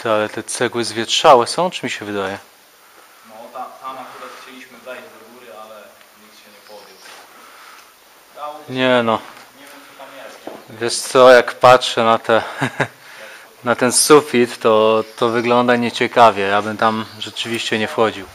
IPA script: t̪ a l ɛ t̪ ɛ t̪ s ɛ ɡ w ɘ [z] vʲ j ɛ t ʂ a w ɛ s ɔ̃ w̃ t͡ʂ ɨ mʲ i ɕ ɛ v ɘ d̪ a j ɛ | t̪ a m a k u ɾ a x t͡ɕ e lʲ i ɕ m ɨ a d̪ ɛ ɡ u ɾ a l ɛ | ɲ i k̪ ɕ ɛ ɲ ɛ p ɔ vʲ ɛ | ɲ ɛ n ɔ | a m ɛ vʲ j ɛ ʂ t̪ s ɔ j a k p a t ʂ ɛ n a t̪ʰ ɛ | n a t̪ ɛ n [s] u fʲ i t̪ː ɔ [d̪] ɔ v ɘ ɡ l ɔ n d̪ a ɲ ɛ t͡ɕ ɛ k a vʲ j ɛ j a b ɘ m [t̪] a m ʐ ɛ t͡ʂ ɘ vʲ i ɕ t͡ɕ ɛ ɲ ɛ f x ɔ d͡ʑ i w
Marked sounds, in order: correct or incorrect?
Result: correct, correct, incorrect, correct

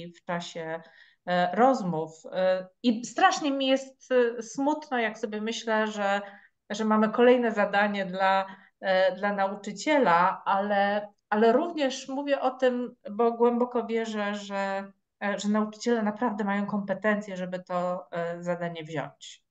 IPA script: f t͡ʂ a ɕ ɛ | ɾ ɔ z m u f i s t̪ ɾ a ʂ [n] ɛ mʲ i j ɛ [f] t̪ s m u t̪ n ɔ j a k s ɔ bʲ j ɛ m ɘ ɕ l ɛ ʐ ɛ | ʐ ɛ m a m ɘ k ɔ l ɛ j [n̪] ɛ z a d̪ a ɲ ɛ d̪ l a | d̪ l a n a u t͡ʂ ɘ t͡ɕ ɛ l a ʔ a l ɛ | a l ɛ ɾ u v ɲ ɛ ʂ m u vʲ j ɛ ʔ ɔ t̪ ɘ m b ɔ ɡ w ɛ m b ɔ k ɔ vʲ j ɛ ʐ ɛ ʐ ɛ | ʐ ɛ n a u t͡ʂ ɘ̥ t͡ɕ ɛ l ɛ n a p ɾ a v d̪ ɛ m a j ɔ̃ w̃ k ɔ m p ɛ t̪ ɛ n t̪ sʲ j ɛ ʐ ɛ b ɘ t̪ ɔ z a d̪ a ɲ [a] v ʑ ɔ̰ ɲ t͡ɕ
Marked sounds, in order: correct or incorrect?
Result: incorrect, incorrect, correct, incorrect

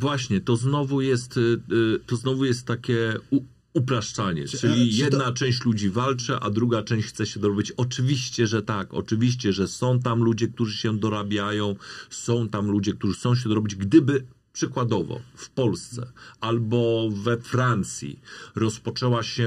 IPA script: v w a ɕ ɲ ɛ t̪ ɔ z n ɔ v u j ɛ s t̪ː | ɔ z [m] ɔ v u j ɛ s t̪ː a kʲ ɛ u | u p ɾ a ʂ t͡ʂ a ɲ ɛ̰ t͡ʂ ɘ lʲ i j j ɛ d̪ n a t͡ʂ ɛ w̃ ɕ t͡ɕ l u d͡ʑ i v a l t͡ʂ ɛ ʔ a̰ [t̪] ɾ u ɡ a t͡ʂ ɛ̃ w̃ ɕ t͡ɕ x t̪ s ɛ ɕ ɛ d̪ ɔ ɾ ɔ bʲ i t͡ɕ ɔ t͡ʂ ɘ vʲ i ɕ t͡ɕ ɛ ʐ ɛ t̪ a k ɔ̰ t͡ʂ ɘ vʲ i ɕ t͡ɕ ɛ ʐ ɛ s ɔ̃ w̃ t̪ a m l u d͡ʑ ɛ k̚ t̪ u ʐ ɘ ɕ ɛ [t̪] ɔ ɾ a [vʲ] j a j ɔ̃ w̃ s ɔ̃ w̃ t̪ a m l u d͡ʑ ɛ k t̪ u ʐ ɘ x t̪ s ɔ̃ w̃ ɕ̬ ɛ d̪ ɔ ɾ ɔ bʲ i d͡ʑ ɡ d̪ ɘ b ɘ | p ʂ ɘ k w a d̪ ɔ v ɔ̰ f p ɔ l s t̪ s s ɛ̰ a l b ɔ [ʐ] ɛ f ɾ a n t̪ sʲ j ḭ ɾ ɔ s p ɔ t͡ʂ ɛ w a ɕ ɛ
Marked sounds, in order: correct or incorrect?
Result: incorrect, incorrect, incorrect, incorrect, incorrect

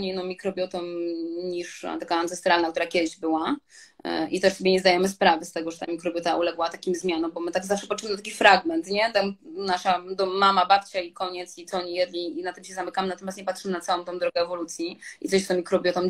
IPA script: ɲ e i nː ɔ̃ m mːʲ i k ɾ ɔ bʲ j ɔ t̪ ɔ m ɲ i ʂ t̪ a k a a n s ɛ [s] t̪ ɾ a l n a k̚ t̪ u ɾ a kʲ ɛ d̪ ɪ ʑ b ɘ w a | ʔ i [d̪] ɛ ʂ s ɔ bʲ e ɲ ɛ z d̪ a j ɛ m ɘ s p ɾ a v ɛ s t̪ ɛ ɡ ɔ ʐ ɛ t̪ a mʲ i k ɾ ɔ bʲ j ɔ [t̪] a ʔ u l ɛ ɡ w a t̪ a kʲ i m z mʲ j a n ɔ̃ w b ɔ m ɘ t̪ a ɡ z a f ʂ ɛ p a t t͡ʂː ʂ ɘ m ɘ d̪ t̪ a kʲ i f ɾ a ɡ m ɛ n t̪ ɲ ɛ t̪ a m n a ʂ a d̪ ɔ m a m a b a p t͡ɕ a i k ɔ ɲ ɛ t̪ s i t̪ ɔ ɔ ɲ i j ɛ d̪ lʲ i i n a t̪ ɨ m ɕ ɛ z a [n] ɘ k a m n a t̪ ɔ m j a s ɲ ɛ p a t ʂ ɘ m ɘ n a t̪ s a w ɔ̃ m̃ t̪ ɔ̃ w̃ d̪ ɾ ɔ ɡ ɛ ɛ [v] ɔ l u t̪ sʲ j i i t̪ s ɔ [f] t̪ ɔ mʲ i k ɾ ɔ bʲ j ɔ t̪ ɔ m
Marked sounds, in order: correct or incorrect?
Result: correct, incorrect, correct, incorrect, correct, incorrect

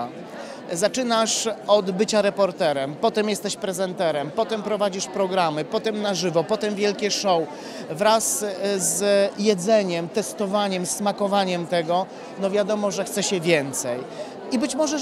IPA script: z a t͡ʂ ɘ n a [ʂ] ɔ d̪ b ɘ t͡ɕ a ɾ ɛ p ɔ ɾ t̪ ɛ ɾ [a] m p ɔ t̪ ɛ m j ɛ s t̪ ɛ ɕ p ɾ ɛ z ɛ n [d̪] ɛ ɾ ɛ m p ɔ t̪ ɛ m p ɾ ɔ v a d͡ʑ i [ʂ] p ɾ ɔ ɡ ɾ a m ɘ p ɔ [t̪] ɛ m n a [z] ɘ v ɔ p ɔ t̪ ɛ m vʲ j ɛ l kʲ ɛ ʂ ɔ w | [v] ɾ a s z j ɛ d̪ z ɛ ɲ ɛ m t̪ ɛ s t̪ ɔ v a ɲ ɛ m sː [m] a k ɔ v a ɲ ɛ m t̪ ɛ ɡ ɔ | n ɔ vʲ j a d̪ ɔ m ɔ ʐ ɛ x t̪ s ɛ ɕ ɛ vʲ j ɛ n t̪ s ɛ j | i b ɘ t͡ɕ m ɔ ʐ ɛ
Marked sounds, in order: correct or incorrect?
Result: correct, incorrect, incorrect, correct, correct, incorrect, correct, correct

